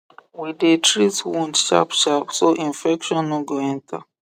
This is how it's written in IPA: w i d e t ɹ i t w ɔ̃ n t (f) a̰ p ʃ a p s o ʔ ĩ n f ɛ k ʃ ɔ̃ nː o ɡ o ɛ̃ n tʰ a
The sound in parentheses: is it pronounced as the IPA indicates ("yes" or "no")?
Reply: no